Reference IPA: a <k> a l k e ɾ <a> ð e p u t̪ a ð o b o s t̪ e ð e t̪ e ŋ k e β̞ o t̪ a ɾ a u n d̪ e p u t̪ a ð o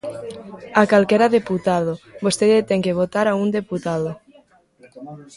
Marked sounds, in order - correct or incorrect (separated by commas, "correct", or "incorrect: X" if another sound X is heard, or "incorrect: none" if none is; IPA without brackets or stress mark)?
correct, correct